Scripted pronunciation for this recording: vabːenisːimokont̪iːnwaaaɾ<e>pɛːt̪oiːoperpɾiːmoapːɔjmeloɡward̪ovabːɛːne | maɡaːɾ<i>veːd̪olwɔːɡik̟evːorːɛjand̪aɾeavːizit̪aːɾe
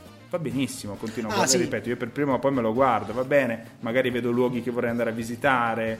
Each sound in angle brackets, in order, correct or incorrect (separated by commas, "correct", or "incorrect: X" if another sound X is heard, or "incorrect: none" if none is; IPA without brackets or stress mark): incorrect: i, correct